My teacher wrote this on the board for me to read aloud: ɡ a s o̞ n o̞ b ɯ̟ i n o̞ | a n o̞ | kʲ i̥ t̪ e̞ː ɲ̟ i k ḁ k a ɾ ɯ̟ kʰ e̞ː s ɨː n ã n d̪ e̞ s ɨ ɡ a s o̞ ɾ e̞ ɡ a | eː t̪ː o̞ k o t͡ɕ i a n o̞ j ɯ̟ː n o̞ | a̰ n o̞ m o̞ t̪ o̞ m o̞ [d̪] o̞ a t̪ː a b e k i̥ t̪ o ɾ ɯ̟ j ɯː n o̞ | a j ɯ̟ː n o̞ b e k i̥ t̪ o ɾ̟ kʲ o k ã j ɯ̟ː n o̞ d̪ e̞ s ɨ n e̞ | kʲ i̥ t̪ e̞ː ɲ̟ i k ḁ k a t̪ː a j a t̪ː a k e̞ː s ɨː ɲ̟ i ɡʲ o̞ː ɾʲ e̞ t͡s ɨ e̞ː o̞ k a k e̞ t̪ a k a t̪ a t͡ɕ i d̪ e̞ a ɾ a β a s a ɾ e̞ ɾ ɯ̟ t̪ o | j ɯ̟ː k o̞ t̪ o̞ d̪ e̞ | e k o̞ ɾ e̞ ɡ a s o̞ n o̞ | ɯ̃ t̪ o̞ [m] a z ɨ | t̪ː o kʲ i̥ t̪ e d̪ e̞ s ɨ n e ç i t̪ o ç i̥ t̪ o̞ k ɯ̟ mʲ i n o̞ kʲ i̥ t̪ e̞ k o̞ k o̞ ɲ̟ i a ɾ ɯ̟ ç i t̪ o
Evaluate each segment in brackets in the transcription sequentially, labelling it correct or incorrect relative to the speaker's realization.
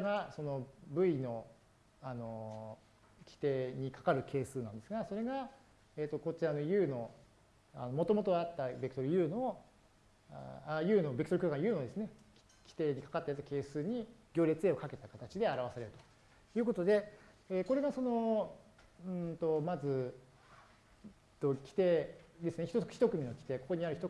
incorrect: t̪, correct

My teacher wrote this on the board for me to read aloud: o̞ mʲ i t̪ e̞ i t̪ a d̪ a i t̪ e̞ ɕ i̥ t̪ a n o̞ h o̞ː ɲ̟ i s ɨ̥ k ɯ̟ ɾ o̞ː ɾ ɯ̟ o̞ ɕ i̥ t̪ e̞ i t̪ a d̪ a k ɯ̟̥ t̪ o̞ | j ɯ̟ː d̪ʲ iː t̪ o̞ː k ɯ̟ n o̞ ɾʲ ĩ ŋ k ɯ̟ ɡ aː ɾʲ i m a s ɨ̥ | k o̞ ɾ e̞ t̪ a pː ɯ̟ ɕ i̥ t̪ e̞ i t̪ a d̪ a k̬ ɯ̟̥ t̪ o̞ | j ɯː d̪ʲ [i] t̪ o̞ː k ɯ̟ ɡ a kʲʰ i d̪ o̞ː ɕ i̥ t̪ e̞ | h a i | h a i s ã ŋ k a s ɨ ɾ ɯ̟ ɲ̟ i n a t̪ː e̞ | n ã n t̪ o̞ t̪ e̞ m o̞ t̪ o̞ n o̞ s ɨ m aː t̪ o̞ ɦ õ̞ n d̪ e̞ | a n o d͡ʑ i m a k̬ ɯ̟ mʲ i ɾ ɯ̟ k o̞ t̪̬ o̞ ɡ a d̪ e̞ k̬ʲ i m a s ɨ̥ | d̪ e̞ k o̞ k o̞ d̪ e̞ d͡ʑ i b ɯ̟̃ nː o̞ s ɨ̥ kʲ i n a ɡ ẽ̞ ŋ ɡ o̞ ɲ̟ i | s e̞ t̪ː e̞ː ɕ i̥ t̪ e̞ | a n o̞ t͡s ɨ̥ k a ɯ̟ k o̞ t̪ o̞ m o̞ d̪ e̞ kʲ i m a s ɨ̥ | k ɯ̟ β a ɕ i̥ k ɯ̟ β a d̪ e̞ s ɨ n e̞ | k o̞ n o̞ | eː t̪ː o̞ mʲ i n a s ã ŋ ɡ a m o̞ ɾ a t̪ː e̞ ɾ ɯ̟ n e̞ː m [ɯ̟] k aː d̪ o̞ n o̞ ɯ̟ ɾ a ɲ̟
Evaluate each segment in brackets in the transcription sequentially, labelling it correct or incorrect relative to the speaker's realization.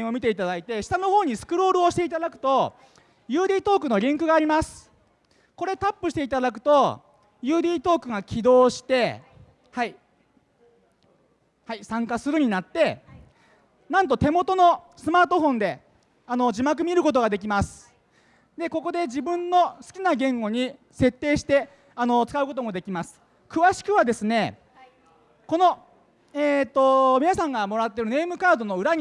incorrect: iː, correct

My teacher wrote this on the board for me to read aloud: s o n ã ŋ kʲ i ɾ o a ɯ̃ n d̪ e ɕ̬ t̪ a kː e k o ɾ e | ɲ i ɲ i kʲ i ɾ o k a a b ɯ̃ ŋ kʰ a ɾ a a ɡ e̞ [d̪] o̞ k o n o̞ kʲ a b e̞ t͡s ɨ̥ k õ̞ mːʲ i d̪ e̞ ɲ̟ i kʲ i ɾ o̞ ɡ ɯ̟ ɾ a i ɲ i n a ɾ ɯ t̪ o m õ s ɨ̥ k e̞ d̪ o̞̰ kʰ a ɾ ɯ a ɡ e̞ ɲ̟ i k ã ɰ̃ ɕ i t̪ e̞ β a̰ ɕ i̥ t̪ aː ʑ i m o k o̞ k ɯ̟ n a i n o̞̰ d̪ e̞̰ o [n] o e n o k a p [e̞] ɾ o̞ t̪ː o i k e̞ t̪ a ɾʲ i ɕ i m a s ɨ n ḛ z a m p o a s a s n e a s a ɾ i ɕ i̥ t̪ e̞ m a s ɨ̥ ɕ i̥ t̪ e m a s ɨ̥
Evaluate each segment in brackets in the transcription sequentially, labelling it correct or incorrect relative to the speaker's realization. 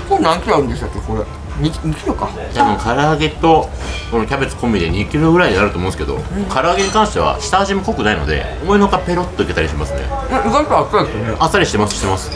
incorrect: t̪, incorrect: m, correct

